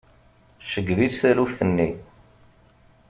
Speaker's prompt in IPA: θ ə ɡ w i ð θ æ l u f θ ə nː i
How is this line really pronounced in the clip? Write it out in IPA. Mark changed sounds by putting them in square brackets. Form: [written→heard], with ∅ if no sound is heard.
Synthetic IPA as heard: [θ→ʃ] ə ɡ [w→v] i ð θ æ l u f θ ə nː i